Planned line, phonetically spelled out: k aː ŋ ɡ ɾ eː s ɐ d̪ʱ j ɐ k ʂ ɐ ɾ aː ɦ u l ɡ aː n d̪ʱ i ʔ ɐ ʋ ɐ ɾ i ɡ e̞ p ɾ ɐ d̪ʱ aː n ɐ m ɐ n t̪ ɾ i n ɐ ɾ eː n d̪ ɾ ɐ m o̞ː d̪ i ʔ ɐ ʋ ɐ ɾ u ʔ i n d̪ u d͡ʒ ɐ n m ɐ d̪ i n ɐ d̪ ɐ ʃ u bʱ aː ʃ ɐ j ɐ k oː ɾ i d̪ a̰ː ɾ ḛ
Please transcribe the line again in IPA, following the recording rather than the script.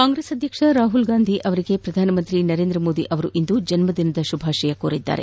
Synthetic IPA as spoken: k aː ŋ ɡ ɾ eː s ɐ d̪ʱ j ɐ k ʂ ɐ ɾ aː ɦ u l ɡ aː n d̪ʱ i ʔ ɐ ʋ ɐ ɾ i ɡ e̞ p ɾ ɐ d̪ʱ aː n ɐ m ɐ n t̪ ɾ i n ɐ ɾ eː n d̪ ɾ ɐ m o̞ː d̪ i ʔ ɐ ʋ ɐ ɾ u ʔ i n d̪ u d͡ʒ ɐ n m ɐ d̪ i n ɐ d̪ ɐ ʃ u bʱ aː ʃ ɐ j ɐ k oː ɾ i d̪ː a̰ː ɾ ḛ